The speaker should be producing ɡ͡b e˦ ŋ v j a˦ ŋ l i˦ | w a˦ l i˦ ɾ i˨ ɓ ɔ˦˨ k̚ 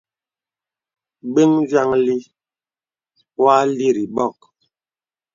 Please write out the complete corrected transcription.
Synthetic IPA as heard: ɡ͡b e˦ ŋ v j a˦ ŋ l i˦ | w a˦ l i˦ ɾ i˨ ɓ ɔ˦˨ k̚